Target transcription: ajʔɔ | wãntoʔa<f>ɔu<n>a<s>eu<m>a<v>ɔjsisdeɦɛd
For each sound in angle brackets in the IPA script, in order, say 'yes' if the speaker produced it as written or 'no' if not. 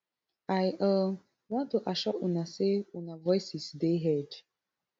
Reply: no, yes, yes, no, yes

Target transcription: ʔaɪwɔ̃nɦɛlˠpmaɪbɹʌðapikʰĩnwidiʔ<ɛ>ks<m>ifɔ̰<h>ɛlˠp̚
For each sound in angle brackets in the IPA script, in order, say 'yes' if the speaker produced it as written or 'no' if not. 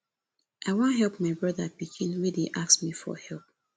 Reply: no, yes, yes

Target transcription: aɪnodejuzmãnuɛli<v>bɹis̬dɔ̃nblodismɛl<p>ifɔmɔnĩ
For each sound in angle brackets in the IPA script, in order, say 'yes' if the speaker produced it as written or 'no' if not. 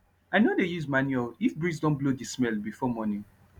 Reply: no, no

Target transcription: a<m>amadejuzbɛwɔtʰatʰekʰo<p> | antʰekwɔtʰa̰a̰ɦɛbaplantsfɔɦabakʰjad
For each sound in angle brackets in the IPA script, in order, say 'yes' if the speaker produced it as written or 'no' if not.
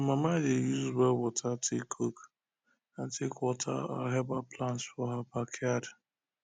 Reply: yes, no

